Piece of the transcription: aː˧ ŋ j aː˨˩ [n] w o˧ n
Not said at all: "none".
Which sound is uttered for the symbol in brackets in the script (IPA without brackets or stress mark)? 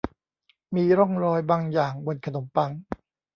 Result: ŋ